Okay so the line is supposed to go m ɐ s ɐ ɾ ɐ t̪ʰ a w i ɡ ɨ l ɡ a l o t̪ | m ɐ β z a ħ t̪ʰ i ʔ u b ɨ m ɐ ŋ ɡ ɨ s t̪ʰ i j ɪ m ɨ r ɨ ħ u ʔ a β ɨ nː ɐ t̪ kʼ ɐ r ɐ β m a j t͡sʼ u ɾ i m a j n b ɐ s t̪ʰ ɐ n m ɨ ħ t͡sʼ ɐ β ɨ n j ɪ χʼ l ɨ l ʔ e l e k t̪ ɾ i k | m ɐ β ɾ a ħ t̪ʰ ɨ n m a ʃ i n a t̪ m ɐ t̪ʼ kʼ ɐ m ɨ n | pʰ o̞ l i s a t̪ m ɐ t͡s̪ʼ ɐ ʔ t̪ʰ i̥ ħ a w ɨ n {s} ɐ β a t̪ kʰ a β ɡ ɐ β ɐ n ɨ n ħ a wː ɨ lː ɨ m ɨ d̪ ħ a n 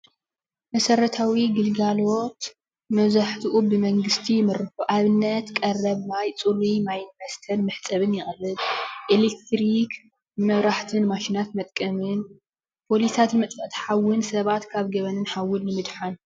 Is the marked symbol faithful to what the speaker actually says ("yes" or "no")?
yes